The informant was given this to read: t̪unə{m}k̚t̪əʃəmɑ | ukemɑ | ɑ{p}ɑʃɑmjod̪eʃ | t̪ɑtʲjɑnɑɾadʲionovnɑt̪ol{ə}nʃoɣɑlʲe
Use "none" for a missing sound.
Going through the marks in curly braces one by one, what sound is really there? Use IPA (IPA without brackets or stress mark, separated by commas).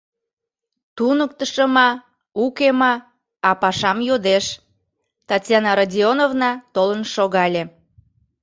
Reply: none, p, ə